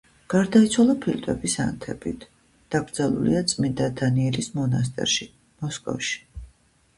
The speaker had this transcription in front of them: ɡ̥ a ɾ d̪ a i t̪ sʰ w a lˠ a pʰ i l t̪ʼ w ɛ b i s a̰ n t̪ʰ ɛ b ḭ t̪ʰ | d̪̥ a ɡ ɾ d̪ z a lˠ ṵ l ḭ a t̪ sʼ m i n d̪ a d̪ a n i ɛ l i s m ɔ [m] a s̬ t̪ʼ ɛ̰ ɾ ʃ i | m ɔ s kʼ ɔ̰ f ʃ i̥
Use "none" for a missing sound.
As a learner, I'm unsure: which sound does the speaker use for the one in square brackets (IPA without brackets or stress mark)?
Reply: n